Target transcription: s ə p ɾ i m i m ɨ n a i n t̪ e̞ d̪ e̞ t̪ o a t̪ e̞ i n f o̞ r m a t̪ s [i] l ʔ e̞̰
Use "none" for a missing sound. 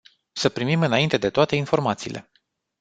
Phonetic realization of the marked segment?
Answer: iː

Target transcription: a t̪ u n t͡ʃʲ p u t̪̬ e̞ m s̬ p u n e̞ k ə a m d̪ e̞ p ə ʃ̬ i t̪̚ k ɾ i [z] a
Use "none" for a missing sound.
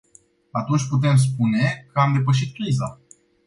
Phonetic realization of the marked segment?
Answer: z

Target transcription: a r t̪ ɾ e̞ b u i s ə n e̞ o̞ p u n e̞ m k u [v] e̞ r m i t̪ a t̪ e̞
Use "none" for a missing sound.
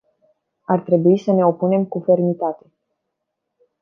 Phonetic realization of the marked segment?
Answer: f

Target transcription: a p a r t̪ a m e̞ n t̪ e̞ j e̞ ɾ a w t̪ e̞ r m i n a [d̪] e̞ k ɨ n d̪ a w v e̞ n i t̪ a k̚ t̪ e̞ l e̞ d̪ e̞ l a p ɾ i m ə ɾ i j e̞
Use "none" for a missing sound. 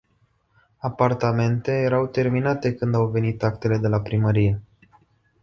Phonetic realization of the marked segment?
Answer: t̪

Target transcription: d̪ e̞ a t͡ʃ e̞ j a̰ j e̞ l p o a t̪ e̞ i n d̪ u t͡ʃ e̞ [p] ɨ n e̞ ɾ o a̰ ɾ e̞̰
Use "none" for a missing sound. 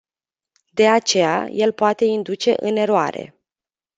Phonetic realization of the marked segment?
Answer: ʔ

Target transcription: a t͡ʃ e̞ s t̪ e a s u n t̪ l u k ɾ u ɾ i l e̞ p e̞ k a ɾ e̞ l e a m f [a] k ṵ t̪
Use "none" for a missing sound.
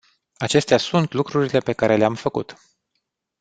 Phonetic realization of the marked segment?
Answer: ə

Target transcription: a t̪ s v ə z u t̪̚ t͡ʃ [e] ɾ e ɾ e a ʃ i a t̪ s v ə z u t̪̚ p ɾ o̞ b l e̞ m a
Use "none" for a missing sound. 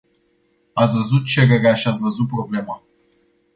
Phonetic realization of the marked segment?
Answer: e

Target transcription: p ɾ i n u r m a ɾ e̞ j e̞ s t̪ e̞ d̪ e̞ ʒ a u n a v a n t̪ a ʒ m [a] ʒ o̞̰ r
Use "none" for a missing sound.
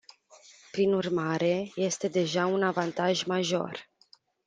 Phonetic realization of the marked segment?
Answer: a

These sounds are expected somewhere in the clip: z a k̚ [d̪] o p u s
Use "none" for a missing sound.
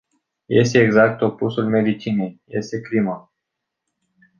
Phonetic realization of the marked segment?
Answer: t̪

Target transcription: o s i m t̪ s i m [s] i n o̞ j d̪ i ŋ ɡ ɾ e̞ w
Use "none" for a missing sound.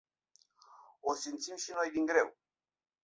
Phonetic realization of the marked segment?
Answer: ʃ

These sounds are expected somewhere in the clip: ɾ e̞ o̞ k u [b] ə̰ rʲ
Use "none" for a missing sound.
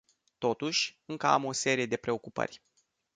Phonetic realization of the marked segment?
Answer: p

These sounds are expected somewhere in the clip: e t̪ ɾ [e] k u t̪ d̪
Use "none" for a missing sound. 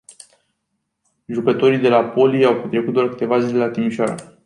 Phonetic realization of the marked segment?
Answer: e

